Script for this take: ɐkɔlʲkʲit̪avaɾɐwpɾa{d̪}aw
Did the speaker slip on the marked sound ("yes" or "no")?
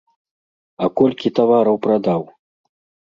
no